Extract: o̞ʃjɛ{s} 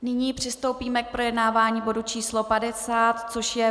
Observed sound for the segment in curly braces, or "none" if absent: none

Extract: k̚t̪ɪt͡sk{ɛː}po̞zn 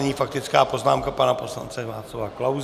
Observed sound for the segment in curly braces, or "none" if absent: aː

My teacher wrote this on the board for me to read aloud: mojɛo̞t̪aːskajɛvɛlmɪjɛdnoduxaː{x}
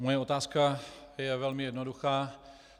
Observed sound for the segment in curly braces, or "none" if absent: none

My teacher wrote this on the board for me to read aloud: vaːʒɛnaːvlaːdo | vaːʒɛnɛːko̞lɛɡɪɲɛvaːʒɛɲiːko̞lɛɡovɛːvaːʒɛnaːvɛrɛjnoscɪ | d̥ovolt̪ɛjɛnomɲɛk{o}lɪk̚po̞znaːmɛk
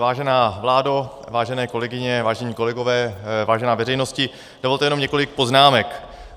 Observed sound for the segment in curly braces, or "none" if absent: o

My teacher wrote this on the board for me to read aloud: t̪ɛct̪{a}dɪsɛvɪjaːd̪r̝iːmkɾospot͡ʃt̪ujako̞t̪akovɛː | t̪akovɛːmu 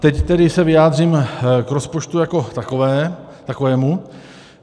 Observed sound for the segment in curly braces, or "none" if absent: ɛ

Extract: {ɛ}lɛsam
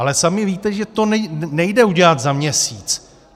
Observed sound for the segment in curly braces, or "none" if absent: a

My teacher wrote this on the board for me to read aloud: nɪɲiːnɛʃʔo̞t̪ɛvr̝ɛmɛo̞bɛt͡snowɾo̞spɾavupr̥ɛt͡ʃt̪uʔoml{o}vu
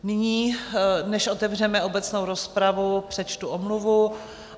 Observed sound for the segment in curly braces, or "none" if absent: u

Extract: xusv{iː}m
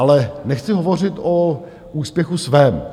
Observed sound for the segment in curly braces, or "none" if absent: ɛː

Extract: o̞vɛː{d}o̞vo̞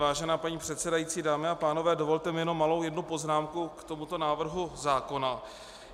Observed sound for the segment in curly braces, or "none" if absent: d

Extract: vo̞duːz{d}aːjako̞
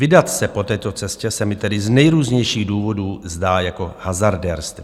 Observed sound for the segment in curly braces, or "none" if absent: d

